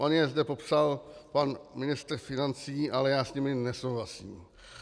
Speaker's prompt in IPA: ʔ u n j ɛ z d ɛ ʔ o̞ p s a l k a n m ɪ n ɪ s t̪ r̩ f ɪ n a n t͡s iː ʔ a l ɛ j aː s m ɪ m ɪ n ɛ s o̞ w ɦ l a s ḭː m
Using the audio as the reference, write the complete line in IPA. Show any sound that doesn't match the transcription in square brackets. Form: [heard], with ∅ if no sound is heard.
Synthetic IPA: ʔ [o] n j ɛ z d ɛ [p] o̞ p s a l [p] a n m ɪ n ɪ s t̪ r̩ f ɪ n a n t͡s iː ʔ a l ɛ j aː s [ɲ] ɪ m ɪ n ɛ s o̞ w ɦ l a s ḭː m